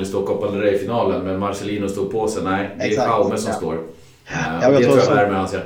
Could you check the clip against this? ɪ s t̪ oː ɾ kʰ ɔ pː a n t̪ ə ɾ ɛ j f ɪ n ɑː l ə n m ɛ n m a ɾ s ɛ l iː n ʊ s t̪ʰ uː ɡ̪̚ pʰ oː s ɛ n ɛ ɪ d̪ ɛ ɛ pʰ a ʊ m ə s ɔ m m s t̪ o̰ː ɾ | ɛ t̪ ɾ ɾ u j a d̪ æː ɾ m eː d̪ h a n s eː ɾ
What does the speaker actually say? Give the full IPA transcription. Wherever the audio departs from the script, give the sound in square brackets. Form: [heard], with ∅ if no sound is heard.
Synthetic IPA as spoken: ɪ s t̪ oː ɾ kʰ ɔ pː a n [d̪] ə ɾ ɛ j f ɪ n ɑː l ə n m ɛ n m a ɾ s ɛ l iː n ʊ s [t̪] uː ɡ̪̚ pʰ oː s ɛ n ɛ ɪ d̪ ɛ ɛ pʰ a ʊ m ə s ɔ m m s t̪ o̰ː ɾ | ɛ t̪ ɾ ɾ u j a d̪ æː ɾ m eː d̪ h a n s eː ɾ